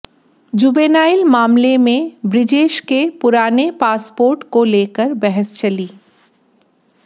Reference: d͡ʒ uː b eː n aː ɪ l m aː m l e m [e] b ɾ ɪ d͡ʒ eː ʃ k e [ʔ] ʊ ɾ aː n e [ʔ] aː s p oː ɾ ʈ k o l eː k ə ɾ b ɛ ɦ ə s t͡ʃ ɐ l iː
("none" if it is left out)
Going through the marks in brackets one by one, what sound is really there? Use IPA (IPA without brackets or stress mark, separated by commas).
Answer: ẽ, p, p